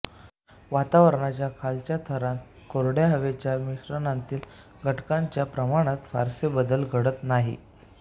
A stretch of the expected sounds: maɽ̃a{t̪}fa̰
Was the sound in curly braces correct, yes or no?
yes